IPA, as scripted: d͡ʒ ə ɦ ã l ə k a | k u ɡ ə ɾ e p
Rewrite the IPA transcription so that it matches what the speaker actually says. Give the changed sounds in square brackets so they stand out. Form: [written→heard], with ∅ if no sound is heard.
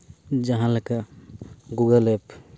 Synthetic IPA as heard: d͡ʒ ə ɦ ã l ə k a | [k→ɡ] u ɡ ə [ɾ→l] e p

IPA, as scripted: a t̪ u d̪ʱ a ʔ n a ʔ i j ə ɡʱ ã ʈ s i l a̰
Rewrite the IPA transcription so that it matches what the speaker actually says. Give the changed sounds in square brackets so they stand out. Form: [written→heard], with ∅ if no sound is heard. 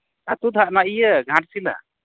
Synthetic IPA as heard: a t̪ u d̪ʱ a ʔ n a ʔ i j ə ɡʱ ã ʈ s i l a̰

